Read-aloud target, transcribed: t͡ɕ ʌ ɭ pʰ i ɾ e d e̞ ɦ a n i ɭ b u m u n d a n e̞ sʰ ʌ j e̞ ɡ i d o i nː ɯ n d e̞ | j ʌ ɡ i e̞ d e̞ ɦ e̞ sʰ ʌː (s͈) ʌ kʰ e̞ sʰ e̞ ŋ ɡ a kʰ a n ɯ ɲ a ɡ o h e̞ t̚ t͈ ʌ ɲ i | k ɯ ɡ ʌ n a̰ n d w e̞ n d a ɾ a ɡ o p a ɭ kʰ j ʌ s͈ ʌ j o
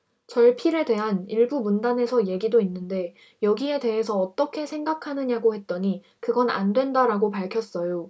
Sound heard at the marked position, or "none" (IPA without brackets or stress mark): t͈